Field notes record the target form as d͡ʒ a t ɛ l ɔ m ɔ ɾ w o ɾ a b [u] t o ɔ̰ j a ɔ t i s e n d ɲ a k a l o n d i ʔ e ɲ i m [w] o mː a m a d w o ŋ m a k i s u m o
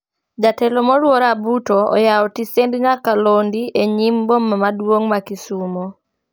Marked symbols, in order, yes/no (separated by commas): yes, no